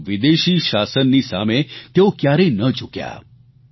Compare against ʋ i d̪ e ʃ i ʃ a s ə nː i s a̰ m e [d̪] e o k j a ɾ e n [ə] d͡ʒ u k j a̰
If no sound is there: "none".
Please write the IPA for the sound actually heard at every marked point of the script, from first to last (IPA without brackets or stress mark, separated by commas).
t̪, ə